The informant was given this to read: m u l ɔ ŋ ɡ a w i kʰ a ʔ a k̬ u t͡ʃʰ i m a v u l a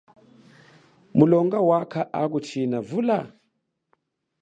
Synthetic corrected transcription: m u l ɔ ŋ ɡ a w a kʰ a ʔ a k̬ u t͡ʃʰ i n a v u l a